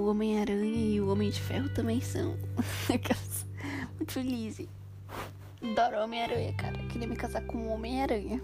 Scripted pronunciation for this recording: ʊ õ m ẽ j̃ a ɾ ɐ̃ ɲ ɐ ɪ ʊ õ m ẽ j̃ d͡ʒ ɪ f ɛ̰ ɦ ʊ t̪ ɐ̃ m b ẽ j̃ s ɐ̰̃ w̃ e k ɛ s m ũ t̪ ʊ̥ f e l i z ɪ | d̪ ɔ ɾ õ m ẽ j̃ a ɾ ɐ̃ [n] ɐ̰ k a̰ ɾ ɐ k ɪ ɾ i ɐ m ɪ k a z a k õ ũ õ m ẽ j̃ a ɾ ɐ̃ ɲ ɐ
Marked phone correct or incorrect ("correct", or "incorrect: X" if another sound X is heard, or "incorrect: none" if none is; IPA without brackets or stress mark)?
incorrect: ɲ